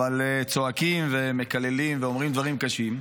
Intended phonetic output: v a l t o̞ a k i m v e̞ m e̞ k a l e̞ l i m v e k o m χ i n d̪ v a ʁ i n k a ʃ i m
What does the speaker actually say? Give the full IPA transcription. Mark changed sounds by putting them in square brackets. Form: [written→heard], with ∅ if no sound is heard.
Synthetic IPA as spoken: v a l [t→t͡s] o̞ a k i m v e̞ m e̞ k a l e̞ l i m v e [k→∅] o m [χ→ʁ] i [n→m] d̪ v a ʁ i [n→m] k a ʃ i m